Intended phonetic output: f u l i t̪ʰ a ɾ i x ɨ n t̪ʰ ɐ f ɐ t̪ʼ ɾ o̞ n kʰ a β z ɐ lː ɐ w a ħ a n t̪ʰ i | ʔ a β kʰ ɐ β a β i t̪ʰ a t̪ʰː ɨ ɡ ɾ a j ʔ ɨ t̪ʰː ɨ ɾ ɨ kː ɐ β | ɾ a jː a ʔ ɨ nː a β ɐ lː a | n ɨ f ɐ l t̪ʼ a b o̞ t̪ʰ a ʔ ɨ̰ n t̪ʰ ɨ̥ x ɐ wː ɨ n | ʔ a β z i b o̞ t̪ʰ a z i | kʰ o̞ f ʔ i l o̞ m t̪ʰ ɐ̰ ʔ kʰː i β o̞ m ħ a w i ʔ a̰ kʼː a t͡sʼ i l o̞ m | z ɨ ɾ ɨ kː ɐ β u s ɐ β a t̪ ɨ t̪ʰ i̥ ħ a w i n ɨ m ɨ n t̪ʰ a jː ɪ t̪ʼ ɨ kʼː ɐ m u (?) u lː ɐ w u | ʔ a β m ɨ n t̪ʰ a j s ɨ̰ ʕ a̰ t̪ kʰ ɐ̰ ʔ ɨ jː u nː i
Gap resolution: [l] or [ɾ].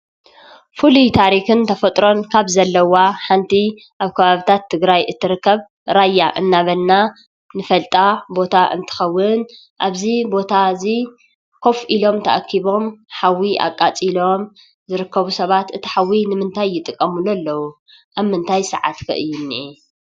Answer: l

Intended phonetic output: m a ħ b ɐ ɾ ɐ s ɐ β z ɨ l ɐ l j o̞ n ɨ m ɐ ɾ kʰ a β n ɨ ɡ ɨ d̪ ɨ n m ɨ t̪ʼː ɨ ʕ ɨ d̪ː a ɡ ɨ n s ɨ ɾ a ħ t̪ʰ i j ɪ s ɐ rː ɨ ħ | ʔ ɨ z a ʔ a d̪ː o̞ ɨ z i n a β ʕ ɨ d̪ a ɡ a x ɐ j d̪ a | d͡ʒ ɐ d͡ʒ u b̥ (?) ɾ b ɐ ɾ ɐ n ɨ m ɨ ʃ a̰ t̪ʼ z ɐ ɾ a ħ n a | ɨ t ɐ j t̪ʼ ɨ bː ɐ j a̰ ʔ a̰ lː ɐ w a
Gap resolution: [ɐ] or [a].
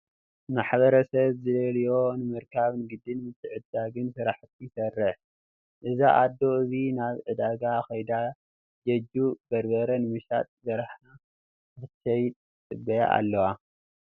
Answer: ɐ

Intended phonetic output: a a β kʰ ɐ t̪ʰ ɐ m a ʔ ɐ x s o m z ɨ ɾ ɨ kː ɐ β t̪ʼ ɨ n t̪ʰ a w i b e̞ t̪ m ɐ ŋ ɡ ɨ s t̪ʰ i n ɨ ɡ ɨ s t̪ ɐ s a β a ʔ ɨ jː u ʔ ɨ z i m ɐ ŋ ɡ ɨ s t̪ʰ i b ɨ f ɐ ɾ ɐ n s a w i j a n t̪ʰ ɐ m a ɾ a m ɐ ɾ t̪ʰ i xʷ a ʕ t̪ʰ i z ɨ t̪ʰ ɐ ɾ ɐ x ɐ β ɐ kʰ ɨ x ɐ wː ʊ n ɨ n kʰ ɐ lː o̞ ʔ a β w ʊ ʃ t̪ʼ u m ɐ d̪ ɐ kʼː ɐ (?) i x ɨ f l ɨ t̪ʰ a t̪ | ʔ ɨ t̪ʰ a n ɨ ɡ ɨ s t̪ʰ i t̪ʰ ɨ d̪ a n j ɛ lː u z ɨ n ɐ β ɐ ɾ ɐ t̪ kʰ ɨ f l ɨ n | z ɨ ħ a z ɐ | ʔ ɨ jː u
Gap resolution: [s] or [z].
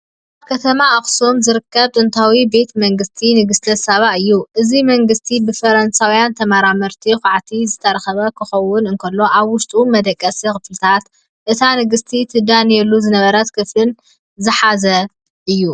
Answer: s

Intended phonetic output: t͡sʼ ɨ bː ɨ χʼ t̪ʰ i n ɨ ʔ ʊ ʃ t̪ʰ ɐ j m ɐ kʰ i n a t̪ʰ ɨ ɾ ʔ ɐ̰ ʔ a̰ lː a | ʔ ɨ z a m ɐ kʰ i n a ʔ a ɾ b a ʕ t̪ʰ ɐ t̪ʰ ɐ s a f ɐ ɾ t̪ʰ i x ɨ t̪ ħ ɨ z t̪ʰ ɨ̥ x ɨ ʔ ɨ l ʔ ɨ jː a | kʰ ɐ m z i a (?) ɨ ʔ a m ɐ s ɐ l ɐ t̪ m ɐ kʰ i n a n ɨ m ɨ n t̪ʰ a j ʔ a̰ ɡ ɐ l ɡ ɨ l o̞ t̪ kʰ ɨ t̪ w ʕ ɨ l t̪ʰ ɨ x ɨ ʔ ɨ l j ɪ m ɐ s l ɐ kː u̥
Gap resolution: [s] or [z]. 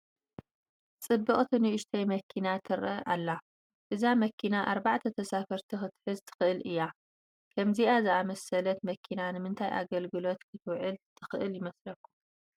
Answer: z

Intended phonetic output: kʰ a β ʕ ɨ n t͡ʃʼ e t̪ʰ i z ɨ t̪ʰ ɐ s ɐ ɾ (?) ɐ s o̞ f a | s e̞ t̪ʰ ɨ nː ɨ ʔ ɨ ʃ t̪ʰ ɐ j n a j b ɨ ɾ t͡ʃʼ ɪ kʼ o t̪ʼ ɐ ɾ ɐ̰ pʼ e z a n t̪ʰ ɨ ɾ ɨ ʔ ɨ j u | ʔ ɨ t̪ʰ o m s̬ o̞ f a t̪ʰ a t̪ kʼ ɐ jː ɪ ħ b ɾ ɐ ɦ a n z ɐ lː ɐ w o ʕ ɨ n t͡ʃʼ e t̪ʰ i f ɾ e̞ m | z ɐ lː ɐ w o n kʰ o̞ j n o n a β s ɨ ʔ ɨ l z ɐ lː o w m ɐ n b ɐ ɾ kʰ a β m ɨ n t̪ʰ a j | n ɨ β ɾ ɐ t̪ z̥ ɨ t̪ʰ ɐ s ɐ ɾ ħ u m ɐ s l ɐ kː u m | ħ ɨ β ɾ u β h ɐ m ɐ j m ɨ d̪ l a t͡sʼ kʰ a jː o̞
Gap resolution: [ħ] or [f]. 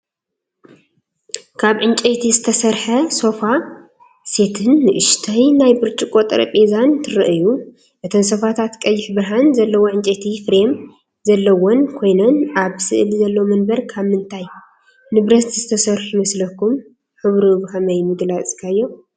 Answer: ħ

